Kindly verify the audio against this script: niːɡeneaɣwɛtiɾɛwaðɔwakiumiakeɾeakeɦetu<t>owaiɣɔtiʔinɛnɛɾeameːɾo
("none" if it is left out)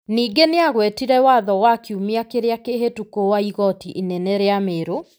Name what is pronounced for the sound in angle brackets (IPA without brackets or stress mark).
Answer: k